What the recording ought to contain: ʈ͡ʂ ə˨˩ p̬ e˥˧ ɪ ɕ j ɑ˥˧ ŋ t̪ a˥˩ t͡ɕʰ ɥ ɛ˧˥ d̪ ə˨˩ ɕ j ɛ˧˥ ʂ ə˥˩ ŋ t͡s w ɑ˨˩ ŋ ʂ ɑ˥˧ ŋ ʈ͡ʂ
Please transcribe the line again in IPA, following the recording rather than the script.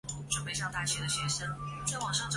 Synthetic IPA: ʈ͡ʂ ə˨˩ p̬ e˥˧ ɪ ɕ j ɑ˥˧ ŋ t̪ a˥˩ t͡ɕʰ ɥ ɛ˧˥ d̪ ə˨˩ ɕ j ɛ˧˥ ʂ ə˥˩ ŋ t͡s w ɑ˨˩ ŋ ʂ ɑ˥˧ ŋ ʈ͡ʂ